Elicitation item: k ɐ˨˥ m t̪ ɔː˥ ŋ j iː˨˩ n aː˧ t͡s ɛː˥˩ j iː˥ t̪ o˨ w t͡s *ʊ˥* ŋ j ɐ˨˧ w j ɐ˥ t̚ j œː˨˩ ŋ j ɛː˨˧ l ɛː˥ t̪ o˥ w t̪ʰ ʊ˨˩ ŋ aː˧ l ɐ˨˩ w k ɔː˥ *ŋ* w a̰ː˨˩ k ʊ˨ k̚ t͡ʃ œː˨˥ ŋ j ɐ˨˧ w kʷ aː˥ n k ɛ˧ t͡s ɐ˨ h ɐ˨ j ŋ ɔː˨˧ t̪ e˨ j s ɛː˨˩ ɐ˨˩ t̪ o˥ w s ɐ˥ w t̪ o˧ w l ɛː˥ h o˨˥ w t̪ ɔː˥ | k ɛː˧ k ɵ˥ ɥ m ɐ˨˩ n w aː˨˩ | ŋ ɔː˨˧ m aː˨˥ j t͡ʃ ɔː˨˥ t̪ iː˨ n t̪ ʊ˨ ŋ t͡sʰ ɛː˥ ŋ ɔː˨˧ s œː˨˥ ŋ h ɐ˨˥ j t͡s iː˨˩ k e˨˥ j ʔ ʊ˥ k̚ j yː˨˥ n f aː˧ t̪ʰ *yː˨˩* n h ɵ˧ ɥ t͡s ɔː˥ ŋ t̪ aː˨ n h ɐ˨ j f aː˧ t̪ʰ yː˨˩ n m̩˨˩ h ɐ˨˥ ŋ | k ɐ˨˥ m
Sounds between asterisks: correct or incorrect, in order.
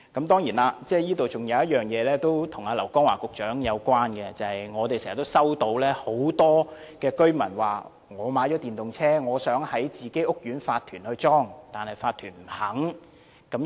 incorrect, correct, correct

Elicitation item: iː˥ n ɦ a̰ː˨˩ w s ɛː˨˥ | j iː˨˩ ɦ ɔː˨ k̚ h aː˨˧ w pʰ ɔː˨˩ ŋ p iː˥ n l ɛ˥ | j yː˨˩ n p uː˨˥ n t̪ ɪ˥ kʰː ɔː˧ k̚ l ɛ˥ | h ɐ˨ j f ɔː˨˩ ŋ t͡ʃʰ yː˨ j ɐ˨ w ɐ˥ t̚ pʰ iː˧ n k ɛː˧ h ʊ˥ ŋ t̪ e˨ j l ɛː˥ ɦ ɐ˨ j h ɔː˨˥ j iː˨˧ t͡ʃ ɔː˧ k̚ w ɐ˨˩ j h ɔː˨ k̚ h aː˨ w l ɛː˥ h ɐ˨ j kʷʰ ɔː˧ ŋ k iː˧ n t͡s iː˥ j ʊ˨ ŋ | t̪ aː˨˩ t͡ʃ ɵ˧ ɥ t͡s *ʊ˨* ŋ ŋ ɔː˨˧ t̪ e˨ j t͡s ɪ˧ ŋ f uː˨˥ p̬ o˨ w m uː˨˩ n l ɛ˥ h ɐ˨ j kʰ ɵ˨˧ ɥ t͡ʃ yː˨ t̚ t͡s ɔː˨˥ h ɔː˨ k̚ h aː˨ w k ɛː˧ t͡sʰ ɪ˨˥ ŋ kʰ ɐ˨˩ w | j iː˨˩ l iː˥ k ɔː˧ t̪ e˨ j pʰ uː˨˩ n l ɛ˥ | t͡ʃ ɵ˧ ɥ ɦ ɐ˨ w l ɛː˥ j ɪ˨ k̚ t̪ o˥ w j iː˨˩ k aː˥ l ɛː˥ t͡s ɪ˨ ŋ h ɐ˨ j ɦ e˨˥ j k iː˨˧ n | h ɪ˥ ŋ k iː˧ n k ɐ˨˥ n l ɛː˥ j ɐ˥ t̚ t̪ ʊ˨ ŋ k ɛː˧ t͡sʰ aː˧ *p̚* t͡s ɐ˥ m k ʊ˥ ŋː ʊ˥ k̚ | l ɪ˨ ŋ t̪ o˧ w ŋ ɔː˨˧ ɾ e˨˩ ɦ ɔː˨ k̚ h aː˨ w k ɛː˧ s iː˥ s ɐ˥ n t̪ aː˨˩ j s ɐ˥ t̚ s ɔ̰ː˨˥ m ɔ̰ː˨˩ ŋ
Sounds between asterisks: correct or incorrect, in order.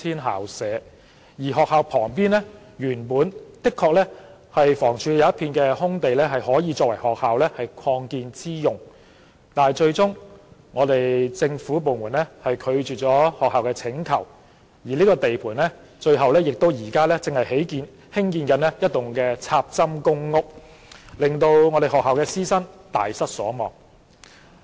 incorrect, correct

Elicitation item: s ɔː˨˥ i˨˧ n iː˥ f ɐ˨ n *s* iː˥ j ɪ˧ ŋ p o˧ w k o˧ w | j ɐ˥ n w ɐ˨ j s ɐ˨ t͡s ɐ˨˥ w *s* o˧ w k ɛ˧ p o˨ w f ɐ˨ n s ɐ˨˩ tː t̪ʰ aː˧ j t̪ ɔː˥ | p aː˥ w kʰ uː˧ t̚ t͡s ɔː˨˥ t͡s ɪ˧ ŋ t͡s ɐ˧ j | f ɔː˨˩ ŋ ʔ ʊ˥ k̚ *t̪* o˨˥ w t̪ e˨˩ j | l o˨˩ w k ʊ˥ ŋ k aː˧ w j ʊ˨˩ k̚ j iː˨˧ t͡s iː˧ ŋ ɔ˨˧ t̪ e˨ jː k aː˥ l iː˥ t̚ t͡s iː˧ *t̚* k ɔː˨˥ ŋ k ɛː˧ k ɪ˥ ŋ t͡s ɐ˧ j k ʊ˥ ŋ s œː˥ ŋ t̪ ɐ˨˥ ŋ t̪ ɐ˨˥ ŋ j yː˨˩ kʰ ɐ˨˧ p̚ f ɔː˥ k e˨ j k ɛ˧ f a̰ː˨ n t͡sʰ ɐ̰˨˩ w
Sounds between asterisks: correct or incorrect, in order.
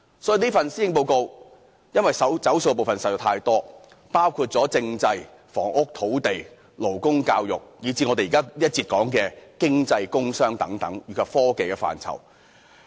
correct, correct, incorrect, correct

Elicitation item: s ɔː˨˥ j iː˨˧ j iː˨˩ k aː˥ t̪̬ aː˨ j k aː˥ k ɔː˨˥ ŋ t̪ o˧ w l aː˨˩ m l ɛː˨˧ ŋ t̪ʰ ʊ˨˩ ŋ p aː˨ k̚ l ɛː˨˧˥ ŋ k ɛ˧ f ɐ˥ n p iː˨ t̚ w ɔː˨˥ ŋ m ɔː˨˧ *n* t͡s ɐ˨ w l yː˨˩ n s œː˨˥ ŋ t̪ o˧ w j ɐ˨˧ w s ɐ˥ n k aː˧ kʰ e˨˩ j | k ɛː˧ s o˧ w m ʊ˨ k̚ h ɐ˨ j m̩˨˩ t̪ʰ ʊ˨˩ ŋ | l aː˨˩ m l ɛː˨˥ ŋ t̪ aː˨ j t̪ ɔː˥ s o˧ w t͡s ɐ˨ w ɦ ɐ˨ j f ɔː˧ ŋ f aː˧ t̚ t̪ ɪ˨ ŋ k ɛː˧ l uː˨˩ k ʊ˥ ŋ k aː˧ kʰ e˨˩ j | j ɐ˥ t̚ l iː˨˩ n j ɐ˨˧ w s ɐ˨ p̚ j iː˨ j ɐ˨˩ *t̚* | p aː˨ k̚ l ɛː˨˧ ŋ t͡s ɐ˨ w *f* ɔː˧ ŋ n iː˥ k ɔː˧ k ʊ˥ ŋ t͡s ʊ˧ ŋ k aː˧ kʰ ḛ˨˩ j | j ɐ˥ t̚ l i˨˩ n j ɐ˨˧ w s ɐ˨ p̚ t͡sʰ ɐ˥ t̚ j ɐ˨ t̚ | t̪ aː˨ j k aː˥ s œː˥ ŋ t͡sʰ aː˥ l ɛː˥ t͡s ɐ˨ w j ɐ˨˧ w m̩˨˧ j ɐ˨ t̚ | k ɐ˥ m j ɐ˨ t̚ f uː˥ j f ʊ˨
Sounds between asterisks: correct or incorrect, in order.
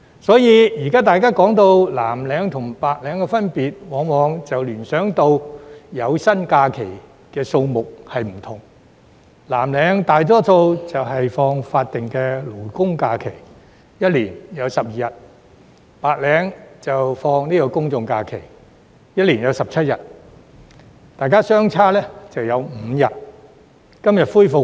incorrect, correct, correct

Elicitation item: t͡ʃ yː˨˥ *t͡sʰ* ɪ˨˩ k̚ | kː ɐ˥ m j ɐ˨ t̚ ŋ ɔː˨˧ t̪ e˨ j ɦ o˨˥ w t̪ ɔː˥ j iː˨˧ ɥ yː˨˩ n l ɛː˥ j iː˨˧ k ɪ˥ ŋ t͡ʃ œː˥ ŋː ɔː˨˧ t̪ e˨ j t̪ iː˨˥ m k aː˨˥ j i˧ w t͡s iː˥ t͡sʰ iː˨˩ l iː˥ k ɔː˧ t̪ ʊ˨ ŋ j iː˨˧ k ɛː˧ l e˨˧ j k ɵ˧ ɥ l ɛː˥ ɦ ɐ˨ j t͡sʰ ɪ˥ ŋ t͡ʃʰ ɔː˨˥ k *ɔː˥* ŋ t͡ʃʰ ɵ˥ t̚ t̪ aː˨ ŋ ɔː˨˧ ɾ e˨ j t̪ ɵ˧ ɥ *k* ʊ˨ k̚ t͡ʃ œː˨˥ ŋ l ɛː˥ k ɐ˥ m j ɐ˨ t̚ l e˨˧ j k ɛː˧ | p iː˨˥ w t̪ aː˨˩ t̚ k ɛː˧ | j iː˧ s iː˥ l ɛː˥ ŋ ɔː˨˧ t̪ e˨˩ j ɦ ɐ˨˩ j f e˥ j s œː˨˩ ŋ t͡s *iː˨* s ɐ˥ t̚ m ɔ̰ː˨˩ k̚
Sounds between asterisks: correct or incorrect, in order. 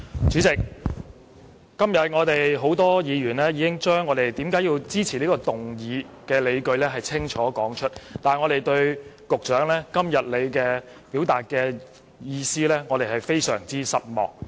incorrect, incorrect, correct, incorrect

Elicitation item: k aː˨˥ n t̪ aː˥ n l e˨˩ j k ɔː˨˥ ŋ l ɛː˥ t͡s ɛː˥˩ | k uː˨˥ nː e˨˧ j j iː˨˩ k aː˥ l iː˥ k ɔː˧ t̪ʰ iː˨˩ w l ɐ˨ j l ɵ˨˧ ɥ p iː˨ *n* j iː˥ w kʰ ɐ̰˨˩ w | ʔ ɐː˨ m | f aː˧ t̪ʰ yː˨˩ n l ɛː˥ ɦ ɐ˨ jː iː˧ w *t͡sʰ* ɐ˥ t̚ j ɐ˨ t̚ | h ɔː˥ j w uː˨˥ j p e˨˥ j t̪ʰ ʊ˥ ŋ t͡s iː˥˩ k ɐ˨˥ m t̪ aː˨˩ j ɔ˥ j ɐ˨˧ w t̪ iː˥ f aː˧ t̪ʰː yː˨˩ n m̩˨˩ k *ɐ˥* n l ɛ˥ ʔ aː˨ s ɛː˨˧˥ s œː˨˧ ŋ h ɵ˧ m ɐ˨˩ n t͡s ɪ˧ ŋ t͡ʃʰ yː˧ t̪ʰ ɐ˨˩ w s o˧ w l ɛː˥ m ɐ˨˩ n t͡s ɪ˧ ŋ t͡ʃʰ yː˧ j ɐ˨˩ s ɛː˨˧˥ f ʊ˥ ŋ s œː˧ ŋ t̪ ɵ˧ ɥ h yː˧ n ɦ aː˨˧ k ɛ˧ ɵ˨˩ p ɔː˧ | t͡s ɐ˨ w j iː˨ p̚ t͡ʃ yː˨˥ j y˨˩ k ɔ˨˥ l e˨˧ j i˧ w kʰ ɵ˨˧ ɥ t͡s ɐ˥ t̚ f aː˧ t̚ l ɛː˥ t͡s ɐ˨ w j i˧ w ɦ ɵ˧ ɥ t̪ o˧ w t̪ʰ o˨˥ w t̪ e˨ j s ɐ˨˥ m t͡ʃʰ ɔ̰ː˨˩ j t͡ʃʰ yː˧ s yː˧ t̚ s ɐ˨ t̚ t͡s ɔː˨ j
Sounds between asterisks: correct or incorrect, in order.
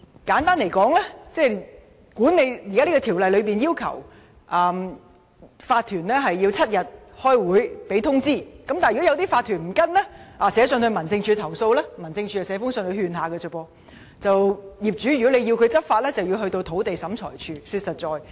correct, correct, correct

